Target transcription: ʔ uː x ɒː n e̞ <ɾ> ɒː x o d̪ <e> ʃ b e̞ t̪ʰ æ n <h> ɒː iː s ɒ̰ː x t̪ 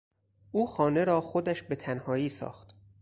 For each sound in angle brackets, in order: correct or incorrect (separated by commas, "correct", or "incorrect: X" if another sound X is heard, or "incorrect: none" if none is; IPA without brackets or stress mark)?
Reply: correct, incorrect: æ, correct